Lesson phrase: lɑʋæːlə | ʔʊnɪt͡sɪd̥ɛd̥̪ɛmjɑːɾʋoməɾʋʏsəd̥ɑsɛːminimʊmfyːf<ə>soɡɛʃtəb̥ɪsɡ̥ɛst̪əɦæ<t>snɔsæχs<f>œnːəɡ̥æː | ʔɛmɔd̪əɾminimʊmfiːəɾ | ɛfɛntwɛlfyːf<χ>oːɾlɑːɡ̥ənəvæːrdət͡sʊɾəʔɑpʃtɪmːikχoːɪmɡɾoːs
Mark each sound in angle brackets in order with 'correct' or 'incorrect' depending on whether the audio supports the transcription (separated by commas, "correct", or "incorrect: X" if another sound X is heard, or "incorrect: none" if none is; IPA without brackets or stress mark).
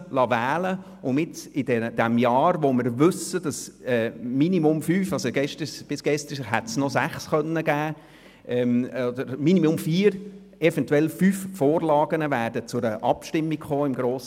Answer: incorrect: ɑ, correct, incorrect: χ, incorrect: f